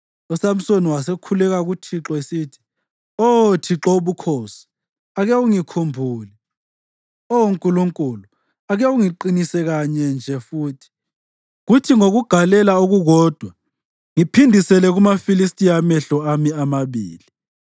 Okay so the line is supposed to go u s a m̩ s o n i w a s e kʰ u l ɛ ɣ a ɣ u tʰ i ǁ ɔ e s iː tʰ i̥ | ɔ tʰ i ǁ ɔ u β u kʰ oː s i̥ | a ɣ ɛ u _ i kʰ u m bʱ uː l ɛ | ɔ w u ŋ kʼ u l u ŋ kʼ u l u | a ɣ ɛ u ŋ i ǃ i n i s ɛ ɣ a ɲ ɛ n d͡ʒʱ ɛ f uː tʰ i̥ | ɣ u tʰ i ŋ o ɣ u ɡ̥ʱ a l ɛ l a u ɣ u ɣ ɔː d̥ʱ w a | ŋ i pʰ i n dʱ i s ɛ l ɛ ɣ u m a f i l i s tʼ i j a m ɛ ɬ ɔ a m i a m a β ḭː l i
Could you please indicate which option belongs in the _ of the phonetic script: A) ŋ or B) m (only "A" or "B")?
A